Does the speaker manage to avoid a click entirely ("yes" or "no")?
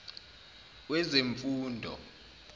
yes